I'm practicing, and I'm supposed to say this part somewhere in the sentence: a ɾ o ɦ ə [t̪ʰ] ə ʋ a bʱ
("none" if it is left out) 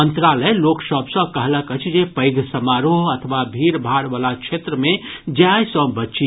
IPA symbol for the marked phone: t̪ʰ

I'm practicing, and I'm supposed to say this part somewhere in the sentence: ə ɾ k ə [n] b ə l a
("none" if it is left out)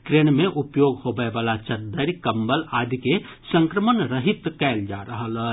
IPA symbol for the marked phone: m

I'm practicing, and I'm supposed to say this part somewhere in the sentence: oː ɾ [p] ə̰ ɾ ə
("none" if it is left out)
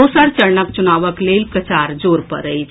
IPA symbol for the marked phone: p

